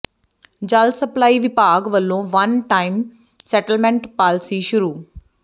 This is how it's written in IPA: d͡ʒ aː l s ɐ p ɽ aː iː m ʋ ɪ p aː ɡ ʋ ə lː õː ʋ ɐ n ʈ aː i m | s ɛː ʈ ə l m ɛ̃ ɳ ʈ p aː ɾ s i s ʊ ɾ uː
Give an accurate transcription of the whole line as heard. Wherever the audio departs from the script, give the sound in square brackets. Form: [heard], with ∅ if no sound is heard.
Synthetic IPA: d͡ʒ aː l s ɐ p [l] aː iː [∅] ʋ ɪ p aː ɡ ʋ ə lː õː ʋ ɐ n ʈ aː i m | s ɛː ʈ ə l m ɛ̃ ɳ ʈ p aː [l] s i [ʃ] ʊ ɾ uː